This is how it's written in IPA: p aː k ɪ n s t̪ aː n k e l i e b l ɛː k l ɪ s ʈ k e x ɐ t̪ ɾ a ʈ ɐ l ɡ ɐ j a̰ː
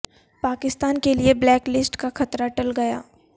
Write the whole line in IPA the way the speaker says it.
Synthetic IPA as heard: p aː k ɪ s t̪ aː n k e l i e b l ɛː k l ɪ s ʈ k a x ɐ t̪ ɾ a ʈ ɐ l ɡ ɐ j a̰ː

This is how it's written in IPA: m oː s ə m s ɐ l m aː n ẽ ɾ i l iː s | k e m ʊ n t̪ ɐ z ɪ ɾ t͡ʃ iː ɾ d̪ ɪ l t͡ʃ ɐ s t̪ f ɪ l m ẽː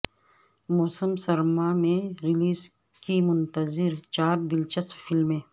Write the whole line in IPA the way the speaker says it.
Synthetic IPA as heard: m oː s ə m s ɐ ɾ m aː m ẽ ɾ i l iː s | k i m ʊ n t̪ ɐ z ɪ ɾ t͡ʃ aː ɾ d̪ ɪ l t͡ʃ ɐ s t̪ f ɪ l m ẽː

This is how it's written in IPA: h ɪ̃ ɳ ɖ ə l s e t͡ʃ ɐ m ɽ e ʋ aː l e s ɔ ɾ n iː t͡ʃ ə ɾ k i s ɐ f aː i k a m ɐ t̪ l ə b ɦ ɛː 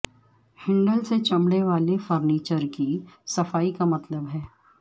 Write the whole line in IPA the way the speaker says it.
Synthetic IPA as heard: h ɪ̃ ɳ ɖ ə l s e t͡ʃ ɐ m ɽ e ʋ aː l e f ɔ ɾ n iː t͡ʃ ə ɾ k i s ɐ f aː i k a m ɐ t̪ l ə b ɦ ɛː

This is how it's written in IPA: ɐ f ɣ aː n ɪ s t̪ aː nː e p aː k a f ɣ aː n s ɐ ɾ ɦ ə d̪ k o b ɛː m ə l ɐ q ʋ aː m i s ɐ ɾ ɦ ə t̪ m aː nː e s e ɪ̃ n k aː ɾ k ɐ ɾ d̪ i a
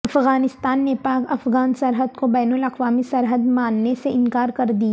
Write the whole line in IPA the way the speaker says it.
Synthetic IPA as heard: ɐ f ɣ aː n ɪ s t̪ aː nː e p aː k ɐ f ɣ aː n s ɐ ɾ ɦ ə d̪ k o b ɛː n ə l ɐ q ʋ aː m i s ɐ ɾ ɦ ə d̪ m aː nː e s e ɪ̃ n k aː ɾ k ɐ ɾ d̪ i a

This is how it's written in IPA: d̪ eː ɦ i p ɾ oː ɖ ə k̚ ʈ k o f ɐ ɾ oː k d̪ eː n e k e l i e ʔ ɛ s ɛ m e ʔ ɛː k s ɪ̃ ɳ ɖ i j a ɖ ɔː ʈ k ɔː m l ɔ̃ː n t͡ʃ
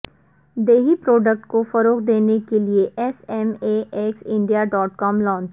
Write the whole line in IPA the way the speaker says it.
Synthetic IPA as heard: d̪ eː ɦ i p ɾ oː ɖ ə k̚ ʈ k o f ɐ ɾ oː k d̪ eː n e k e l i e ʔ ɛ s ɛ m e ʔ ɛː k s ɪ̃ ɳ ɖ i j a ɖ ɔː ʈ k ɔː m l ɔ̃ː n t͡ʃ

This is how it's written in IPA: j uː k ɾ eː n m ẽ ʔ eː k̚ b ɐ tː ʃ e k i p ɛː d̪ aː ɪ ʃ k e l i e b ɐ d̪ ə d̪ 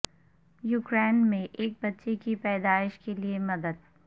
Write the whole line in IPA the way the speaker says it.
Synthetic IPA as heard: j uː k ɾ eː n m ẽ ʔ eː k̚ b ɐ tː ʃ e k i p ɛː d̪ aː ɪ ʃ k e l i e m ɐ d̪ ə d̪

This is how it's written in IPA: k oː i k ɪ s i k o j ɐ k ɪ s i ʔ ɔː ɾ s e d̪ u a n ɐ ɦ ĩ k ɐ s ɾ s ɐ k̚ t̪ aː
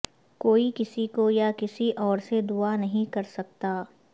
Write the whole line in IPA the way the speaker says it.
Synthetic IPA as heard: k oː i k ɪ s i k o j a k ɪ s i ʔ ɔː ɾ s e d̪ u a n ɐ ɦ ĩ k ɐ ɾ s ɐ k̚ t̪ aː

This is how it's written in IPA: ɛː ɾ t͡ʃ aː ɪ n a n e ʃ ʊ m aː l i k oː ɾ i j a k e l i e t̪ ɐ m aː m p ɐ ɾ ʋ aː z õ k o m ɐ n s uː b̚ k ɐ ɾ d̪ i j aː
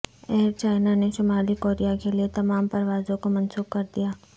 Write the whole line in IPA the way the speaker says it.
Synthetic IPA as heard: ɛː ɾ t͡ʃ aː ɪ n a n e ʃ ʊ m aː l i k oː ɾ i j a k e l i e t̪ ɐ m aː m p ɐ ɾ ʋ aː z õ k o m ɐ n s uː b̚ k ɐ ɾ d̪ i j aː

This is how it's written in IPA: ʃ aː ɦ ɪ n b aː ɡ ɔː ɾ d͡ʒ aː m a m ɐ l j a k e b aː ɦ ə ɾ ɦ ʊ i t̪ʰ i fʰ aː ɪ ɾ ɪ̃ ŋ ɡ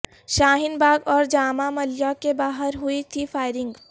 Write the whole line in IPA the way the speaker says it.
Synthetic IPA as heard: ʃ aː ɦ ɪ n b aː ɡ ɔː ɾ d͡ʒ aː m a m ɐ l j a k e b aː ɦ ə ɾ ɦ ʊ i t̪ʰ i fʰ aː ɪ ɾ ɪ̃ ŋ ɡ

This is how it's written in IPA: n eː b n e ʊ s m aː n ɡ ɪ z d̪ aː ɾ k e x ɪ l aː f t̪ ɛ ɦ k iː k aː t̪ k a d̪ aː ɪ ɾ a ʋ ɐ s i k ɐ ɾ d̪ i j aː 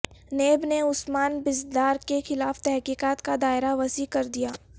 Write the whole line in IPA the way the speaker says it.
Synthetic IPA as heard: n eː b n e ʊ s m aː n b ɪ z d̪ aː ɾ k e x ɪ l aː f t̪ ɛ ɦ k iː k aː t̪ k a d̪ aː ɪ ɾ a ʋ ɐ s i k ɐ ɾ d̪ i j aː

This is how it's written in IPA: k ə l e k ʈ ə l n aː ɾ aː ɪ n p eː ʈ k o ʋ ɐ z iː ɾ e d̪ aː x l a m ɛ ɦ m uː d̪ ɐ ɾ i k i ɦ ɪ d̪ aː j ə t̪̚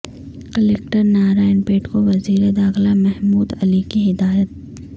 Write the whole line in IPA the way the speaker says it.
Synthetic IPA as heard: k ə l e k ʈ ə ɾ n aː ɾ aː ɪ n p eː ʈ k o ʋ ɐ z iː ɾ e d̪ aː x l a m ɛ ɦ m uː d̪ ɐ l i k i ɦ ɪ d̪ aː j ə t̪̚

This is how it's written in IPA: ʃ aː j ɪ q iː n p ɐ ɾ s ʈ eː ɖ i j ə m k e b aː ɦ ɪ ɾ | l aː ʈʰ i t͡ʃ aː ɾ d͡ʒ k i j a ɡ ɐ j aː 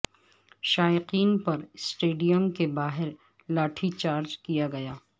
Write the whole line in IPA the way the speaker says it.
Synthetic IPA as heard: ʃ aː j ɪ q iː n p ɐ ɾ s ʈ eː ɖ i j ə m k e b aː ɦ ɪ ɾ | l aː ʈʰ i t͡ʃ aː ɾ d͡ʒ k i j a ɡ ɐ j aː

